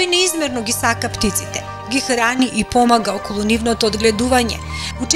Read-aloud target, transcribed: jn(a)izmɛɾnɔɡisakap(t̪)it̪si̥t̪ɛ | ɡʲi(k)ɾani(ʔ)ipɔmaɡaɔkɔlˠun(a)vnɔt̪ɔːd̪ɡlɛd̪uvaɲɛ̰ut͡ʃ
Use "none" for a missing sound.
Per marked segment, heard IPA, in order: ɛ, t̪, x, ʔ, i

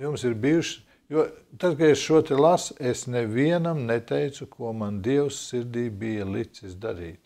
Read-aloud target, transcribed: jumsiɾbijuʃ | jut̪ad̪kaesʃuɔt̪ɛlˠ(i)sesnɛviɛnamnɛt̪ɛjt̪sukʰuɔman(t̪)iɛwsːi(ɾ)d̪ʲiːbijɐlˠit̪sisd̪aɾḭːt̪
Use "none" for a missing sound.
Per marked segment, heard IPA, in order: a, d̪, ɾ

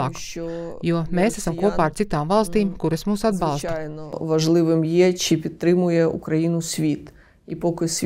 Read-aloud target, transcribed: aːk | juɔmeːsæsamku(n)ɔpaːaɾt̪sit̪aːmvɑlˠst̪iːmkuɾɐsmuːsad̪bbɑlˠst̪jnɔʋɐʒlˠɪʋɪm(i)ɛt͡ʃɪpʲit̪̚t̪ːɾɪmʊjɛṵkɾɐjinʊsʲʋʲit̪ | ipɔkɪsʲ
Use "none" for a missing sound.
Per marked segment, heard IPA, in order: none, j

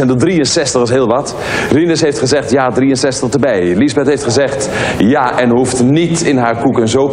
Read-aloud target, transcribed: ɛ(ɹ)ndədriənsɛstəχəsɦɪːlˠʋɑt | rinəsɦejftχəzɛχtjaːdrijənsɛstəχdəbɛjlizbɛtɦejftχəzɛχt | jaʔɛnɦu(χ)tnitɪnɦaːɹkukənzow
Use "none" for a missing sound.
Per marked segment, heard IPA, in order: none, f

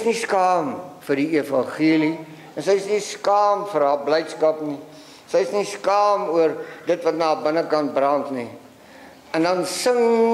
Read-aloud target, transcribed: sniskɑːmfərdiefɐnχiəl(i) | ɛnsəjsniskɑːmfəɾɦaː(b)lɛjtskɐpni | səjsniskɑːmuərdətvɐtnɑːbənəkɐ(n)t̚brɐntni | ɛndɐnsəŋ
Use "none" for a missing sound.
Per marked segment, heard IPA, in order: i, b, n

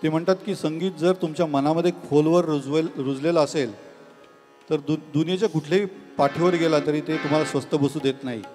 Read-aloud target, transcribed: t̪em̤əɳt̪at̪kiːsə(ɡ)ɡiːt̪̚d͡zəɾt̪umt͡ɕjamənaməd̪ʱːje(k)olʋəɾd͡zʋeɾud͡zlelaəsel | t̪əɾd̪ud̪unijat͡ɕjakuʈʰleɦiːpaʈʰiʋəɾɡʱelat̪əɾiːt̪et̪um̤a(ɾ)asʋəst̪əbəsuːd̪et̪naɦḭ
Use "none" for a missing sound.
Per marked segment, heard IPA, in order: ŋ, kʰ, l

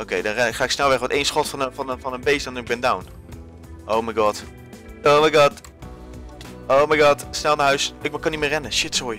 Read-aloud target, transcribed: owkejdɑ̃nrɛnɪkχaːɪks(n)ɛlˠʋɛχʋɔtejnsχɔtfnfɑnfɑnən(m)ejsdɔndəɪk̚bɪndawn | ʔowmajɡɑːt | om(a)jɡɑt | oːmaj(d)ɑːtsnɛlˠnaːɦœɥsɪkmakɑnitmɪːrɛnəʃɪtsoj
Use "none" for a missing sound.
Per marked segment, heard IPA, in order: n, b, a, ɡ

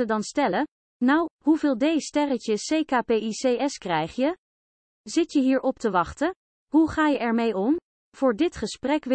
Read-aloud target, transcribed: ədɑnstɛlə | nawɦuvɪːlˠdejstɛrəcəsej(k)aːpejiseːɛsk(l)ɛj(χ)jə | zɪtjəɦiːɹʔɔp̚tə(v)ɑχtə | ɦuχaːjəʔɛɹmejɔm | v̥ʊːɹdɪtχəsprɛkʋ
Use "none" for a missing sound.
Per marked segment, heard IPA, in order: k, r, χ, ʋ

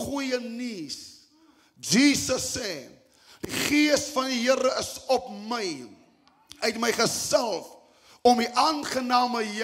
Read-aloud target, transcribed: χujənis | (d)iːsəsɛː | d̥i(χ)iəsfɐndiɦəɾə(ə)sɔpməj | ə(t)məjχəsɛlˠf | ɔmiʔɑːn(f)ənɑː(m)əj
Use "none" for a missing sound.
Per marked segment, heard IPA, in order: d͡ʒ, χ, ə, t, χ, m

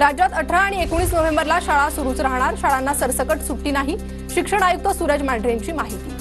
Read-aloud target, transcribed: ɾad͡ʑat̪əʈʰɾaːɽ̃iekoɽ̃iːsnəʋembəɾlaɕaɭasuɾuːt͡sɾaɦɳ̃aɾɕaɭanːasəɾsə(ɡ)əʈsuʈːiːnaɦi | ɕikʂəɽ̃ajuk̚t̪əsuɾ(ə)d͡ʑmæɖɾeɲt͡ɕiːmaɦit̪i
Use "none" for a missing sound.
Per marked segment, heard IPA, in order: k, ə

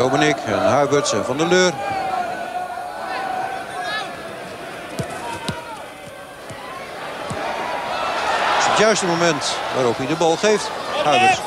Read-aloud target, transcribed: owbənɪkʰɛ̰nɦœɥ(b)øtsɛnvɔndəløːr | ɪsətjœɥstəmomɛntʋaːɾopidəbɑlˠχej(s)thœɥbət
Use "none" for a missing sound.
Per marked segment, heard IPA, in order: b, f

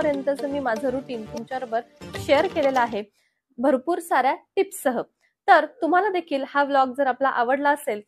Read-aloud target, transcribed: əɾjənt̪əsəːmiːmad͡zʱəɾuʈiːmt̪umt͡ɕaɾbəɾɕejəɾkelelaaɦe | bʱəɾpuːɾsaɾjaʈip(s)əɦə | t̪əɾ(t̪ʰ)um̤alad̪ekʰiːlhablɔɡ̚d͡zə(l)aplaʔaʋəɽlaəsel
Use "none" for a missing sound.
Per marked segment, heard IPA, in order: s, t̪, ɾ

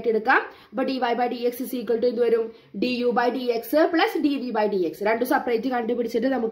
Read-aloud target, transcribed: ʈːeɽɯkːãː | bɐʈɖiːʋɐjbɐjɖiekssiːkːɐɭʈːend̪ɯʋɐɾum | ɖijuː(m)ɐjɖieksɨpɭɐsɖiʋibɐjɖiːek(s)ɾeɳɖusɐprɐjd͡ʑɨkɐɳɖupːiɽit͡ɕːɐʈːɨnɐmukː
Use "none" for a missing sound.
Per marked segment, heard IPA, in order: b, s

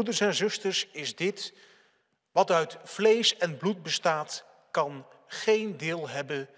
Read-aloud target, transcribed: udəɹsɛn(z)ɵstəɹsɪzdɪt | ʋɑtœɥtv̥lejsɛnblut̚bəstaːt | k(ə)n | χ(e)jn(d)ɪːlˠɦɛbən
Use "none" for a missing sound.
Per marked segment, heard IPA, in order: z, ɑ, e, d

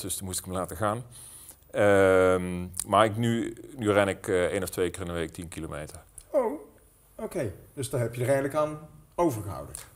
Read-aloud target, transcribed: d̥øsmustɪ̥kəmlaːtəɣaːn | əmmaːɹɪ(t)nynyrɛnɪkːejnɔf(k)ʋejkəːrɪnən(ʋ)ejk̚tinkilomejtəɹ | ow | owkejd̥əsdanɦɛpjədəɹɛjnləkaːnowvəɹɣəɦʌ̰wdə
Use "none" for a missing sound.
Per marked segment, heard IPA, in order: k, t, ʋ

